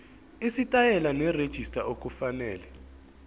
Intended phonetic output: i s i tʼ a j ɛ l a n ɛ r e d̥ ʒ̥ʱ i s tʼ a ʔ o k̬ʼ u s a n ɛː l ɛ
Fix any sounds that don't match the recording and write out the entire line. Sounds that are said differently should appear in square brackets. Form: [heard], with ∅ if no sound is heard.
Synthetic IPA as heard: i s i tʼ a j ɛ l a n ɛ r e d̥ ʒ̥ʱ i s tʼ a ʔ o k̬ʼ u [f] a n ɛː l ɛ